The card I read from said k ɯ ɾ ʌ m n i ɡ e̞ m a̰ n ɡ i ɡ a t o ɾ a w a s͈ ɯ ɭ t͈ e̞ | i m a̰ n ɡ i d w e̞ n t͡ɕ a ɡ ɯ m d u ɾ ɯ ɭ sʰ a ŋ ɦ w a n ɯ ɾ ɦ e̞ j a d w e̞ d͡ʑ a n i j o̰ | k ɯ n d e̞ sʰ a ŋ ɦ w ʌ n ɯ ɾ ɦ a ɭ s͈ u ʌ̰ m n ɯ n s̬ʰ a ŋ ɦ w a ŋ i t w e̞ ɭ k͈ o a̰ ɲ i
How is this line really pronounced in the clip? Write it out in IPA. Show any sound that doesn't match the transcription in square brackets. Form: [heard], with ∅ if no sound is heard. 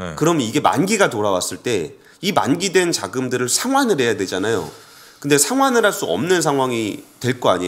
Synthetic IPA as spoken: k ɯ ɾ ʌ m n i ɡ e̞ m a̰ n ɡ i ɡ a t o ɾ a w a s͈ ɯ ɭ t͈ e̞ | i m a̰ n ɡ i d w e̞ n t͡ɕ a ɡ ɯ m d [ɯ] ɾ ɯ ɭ sʰ a ŋ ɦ w a n ɯ ɾ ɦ e̞ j a d w e̞ d͡ʑ a n [a] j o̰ | k ɯ n d e̞ sʰ a ŋ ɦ w [a] n ɯ ɾ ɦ a ɭ s͈ u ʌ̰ m n ɯ n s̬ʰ a ŋ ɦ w a ŋ i t w e̞ ɭ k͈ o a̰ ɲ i